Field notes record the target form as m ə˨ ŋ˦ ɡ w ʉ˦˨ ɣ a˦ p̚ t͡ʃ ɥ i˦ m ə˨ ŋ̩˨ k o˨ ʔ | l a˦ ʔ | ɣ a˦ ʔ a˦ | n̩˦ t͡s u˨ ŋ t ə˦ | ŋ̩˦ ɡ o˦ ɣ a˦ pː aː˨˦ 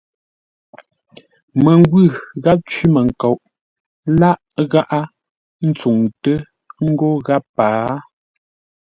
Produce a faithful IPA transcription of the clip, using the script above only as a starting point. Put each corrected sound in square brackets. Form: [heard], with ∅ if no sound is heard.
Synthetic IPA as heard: m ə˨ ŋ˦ ɡ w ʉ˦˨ ɣ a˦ p̚ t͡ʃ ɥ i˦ m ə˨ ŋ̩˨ k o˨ ʔ | l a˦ ʔ | ɣ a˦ ʔ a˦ | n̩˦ t͡s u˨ ŋ t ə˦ | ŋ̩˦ ɡ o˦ ɣ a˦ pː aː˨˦

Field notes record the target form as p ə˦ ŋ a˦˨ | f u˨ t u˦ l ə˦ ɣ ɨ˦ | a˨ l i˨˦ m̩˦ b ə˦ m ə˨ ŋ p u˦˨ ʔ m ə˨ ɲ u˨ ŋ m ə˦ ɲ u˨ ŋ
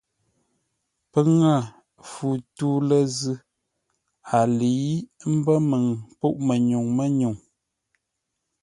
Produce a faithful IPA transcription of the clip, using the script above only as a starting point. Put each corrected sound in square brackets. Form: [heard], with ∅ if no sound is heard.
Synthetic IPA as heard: p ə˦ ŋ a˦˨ | f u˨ t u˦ l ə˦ [z] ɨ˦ | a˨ l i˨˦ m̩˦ b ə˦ m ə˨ ŋ p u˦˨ ʔ m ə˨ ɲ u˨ ŋ m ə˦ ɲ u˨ ŋ

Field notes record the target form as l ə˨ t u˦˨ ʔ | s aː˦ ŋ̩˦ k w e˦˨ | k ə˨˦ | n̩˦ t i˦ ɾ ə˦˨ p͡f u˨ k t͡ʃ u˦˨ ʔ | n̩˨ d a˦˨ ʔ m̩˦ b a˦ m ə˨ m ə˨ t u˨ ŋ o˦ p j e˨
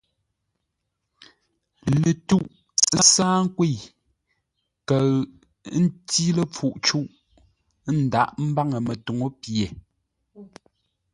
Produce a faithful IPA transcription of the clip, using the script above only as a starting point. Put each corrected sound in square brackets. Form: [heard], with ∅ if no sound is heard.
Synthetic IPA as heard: l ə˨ t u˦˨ ʔ | s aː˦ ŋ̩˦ k w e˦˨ | k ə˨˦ | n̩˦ t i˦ [l] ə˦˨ p͡f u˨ [ʔ] t͡ʃ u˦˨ ʔ | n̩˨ d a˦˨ ʔ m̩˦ b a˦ [ŋ] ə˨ m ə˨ t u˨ ŋ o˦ p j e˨

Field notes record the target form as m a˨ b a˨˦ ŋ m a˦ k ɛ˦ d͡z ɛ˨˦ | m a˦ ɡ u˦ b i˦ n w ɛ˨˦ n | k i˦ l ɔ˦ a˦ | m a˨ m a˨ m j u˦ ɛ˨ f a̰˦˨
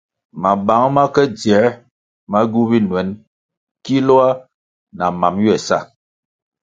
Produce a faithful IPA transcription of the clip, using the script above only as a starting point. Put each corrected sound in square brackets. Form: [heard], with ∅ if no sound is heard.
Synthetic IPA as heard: m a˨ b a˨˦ ŋ m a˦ k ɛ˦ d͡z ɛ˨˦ | m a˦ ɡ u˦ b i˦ n w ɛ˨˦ n | k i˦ l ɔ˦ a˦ | [n] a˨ m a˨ m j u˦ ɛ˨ [s] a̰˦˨

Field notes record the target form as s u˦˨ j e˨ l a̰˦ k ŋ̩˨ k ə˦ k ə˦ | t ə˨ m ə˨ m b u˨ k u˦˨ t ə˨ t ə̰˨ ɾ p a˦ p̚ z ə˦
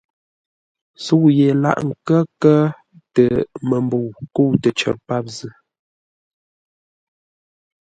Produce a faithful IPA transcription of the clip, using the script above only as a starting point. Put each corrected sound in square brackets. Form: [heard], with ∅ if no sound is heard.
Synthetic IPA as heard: s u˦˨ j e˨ l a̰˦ [ʔ] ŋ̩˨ k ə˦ k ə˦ | t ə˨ m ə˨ m b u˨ k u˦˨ t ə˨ [t͡ʃ] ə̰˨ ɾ p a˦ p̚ z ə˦

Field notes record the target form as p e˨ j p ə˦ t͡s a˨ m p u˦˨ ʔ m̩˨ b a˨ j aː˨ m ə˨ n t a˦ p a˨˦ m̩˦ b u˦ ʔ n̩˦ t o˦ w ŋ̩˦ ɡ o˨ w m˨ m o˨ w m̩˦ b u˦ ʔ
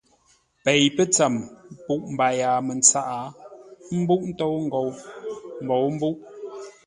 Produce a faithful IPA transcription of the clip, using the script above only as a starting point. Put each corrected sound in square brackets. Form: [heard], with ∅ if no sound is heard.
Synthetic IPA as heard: p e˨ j p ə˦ t͡s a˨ m p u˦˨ ʔ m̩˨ b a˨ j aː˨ m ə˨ n [t͡s] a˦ [ʔ] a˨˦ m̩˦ b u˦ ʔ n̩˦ t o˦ w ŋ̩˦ ɡ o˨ w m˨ [b] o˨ w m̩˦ b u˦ ʔ

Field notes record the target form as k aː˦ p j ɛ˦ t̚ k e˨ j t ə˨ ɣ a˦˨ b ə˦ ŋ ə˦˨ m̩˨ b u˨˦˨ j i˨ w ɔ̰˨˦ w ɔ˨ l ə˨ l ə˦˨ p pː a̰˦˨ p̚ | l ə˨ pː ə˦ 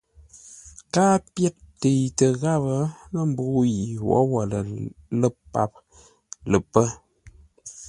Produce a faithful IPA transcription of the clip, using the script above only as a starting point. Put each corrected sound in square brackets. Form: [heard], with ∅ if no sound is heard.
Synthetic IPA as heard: k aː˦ p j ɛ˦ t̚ [t] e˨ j t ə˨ ɣ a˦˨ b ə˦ [n] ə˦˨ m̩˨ b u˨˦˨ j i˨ w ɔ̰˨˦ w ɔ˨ l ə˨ l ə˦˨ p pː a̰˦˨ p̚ | l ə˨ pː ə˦

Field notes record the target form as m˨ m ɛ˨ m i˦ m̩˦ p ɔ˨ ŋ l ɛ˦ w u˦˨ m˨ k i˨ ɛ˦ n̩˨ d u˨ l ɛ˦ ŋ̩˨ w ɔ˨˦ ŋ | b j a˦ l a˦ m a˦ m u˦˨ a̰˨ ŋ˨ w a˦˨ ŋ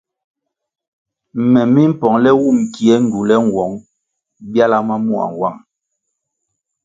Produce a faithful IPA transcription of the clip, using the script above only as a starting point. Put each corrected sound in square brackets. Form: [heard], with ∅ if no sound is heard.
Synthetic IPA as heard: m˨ m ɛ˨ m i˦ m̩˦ p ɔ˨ ŋ l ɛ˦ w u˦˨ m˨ k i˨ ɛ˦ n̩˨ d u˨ l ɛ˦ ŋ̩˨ w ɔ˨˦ ŋ | b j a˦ l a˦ m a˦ m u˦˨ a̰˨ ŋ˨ w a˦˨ ŋ

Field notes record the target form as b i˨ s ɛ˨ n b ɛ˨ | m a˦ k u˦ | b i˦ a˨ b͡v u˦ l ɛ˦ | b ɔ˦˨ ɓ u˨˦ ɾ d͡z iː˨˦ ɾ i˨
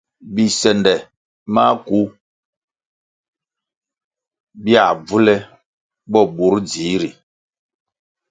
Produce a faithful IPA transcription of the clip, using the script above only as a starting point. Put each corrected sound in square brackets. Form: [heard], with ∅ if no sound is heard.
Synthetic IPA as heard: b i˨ s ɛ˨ n [d] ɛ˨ | m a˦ k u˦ | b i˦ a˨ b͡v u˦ l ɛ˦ | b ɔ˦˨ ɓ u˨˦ ɾ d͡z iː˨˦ ɾ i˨

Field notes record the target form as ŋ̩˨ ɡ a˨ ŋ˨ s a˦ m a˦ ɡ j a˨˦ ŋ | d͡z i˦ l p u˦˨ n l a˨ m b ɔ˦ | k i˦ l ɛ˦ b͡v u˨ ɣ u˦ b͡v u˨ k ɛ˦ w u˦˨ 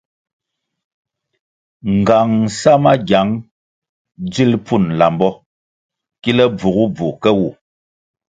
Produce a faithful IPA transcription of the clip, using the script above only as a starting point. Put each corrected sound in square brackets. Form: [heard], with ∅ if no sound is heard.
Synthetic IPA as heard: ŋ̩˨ ɡ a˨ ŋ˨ s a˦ m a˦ ɡ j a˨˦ ŋ | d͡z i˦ l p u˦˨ n l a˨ m b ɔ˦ | k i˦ l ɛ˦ b͡v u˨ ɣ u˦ b͡v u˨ k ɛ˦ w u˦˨

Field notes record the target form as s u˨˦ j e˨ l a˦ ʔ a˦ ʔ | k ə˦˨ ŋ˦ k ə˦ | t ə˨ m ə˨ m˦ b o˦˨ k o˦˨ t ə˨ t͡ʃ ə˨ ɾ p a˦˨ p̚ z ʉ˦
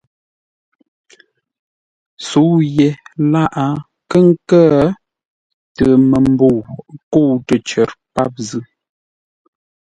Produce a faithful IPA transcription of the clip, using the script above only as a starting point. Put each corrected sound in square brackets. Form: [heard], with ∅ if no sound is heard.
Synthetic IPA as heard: s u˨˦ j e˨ l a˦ ʔ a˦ [∅] | k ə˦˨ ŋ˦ k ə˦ | t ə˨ m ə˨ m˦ b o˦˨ k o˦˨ t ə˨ t͡ʃ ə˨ ɾ p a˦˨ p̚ z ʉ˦

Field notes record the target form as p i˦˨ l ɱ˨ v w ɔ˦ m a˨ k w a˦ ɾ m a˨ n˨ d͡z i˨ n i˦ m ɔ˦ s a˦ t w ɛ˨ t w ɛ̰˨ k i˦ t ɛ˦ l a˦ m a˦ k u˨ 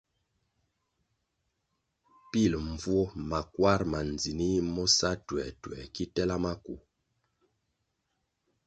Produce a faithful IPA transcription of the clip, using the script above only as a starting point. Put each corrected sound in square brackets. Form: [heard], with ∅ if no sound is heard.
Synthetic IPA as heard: p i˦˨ l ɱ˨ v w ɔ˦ m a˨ k w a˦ ɾ m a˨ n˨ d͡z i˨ n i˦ m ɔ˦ s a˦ t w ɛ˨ t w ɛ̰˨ k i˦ t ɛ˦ l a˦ m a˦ k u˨

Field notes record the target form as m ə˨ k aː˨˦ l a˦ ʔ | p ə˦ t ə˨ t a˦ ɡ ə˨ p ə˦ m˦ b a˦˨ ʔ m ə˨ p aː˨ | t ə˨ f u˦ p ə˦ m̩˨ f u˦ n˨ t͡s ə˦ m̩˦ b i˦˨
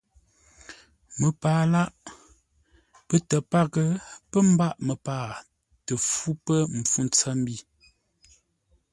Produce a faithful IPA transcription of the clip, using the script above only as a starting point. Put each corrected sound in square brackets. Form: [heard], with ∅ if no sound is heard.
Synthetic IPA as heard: m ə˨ [p] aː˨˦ l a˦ ʔ | p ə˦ t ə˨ [p] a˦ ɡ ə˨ p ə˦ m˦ b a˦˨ ʔ m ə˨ p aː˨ | t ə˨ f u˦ p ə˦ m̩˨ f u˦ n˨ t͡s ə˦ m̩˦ b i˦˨

